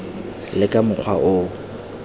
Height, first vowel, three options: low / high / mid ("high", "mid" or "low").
high